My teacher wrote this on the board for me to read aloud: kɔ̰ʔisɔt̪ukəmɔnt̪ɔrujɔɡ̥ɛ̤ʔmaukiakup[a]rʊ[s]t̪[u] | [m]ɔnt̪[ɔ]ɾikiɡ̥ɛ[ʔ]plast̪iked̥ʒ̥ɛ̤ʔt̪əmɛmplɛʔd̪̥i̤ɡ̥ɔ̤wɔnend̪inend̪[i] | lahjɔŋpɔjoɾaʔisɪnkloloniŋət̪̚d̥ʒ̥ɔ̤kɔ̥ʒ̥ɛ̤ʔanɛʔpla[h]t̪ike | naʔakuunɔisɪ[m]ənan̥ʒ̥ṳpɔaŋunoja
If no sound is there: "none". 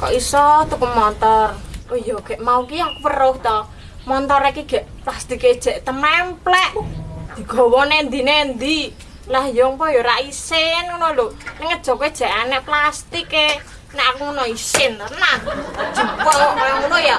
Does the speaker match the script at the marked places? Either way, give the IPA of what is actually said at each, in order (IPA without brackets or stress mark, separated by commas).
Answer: ə, h, ɔ, m, ɔ, ʔ, i, s, n